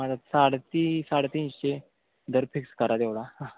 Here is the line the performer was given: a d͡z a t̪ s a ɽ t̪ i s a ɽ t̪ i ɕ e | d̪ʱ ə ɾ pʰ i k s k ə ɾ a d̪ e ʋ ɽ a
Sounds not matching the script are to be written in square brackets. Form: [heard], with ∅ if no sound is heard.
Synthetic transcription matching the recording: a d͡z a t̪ s a ɽ t̪ i s a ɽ t̪ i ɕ e | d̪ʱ ə ɾ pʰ i k s k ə ɾ a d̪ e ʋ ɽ a

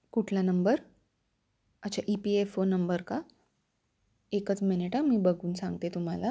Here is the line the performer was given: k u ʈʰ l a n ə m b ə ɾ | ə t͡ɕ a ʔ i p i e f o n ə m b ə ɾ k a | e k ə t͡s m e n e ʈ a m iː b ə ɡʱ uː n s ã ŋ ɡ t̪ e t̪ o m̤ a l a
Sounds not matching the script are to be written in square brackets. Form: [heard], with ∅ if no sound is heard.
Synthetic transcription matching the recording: k u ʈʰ l a n ə m b ə ɾ | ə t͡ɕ a ʔ i p i e f o n ə m b ə ɾ k a | e k ə t͡s m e n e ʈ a m iː b ə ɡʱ uː n s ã ŋ ɡ t̪ e t̪ [u] m̤ a l a

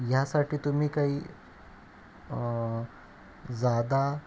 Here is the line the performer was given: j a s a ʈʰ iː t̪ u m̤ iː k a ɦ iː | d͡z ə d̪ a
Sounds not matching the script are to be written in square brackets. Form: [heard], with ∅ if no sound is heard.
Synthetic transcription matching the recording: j a s a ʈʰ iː t̪ u m̤ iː k a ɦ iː | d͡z [a] d̪ a

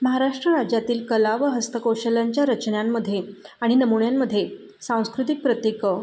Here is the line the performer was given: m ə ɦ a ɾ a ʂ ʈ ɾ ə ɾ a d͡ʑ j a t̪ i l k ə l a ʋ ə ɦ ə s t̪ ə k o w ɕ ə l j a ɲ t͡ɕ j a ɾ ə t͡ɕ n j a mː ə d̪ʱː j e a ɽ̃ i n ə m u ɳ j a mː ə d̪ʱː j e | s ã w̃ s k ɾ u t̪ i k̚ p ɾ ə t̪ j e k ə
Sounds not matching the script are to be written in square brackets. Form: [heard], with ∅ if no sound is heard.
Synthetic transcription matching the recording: m ə ɦ a ɾ a ʂ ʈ ɾ ə ɾ a d͡ʑ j a t̪ [iː] l k ə l a ʋ ə ɦ ə s t̪ ə k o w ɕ ə l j a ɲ t͡ɕ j a ɾ ə t͡ɕ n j a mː ə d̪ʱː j e a ɽ̃ i n ə m u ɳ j a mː ə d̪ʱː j e | s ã w̃ s k ɾ u t̪ i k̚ p ɾ ə t̪ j e k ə

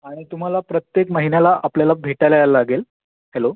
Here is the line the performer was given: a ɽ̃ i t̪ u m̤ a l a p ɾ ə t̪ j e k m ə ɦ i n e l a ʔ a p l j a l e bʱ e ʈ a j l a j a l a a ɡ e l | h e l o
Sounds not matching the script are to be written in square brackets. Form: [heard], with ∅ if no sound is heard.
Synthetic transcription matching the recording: a ɽ̃ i t̪ u m̤ a l a p ɾ ə t̪ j e k m ə ɦ i n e l a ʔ a p l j a l [a] bʱ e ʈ a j l a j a l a a ɡ e l | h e l o

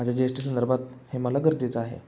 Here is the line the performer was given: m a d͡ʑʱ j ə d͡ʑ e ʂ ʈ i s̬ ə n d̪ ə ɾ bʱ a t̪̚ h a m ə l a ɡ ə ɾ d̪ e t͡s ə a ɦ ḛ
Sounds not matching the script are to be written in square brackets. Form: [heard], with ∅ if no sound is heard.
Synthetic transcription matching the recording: m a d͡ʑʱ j [a] d͡ʑ e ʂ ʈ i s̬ ə n d̪ ə ɾ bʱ a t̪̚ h [e] m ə l a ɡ ə ɾ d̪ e t͡s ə a ɦ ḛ

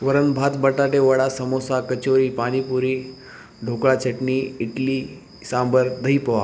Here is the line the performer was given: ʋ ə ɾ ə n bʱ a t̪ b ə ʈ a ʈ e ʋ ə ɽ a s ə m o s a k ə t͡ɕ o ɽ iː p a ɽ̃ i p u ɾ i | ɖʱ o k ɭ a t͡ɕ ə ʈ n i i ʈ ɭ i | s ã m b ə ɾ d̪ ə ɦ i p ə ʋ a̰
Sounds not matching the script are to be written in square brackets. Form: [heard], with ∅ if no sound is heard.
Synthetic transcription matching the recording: ʋ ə ɾ ə n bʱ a t̪ b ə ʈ a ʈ e ʋ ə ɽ a s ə m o s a k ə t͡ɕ o [ɾ] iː p a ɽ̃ i p u ɾ i | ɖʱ o k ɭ a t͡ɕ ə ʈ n i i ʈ [l] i | s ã m b ə ɾ d̪ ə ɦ i p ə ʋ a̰

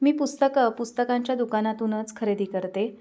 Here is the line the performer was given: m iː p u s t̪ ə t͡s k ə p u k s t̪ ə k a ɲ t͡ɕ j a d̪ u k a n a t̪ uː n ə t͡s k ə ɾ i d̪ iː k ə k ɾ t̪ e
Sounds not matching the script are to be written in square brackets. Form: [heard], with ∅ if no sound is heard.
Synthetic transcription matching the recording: m iː p u s t̪ ə [∅] k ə p u [∅] s t̪ ə k a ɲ t͡ɕ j a d̪ u k a n a t̪ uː n ə t͡s [kʰ] ə ɾ [e] d̪ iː k ə [∅] ɾ t̪ e

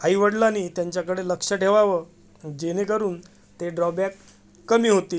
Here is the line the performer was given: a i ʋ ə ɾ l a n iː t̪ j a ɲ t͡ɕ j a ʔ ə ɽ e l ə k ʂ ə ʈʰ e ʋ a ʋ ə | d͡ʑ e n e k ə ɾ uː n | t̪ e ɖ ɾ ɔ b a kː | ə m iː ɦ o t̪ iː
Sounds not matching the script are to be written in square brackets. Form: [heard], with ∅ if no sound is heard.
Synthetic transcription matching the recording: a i ʋ ə [ɽ] l a n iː t̪ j a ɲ t͡ɕ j a [k] ə ɽ e l ə k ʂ ə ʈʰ e ʋ a ʋ ə | d͡ʑ e n e k ə ɾ uː n | t̪ e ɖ ɾ ɔ b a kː | ə m iː ɦ o t̪ iː

